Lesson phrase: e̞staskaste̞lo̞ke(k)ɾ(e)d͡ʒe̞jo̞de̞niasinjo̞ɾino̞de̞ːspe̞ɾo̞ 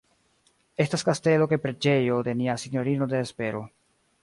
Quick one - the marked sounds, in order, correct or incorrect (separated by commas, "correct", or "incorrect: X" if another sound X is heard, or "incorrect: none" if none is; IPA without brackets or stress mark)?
incorrect: p, correct